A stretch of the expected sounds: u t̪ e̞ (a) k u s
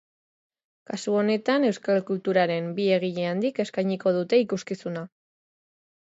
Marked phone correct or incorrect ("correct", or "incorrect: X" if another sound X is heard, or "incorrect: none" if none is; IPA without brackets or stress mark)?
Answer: incorrect: i